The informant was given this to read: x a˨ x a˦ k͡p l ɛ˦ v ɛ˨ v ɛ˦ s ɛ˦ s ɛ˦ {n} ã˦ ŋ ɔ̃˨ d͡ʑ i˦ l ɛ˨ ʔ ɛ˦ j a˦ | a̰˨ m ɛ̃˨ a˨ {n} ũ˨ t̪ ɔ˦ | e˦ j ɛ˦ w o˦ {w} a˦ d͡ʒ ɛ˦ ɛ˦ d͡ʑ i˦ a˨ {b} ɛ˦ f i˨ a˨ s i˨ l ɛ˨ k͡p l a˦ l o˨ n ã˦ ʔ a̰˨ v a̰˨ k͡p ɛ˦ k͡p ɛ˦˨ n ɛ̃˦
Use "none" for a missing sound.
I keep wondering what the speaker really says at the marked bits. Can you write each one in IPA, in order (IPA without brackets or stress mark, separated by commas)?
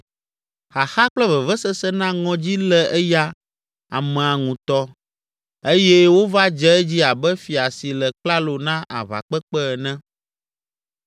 n, ŋ, v, b